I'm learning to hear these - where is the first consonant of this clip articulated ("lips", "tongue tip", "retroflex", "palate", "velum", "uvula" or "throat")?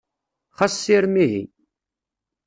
uvula